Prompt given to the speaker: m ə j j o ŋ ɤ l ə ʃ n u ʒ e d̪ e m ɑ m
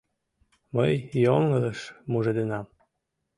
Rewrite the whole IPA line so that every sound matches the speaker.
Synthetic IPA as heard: m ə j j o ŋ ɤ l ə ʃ m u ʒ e d̪ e n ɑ m